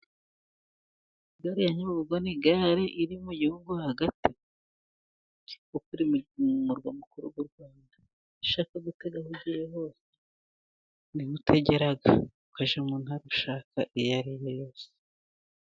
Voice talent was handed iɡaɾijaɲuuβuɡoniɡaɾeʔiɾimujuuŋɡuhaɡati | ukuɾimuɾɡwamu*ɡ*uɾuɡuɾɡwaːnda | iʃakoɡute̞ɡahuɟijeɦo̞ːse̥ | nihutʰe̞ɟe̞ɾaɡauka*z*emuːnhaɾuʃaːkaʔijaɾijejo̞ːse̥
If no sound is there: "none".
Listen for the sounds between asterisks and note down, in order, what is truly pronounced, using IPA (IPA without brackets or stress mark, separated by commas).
k, ʒ